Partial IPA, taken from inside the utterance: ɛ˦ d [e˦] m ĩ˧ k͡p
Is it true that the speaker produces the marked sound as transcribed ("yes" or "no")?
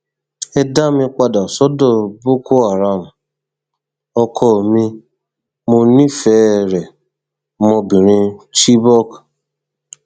no